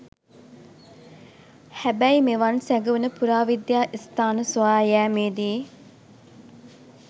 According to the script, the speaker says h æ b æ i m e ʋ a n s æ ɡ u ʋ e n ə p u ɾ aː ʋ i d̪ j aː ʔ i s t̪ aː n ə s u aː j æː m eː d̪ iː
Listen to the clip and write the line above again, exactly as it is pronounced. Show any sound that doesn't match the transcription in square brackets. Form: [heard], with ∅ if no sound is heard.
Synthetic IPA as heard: h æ b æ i m e ʋ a n s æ ɡ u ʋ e n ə p u ɾ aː ʋ i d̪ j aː ʔ i s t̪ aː n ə s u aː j æː m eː d̪ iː